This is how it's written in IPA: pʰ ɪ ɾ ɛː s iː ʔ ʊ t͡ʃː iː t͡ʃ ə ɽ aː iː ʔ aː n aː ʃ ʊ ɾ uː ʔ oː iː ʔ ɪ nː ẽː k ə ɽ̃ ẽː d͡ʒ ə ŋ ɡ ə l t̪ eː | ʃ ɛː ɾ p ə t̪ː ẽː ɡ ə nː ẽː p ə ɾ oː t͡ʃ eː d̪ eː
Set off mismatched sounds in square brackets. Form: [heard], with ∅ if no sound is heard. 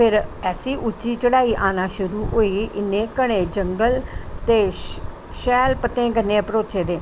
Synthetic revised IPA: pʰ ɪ ɾ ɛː s iː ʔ ʊ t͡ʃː iː t͡ʃ ə ɽ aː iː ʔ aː n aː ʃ ʊ ɾ uː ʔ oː iː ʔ ɪ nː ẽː k ə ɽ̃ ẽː d͡ʒ ə ŋ ɡ ə l t̪ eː | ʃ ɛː [l] p ə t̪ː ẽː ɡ ə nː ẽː p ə ɾ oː t͡ʃ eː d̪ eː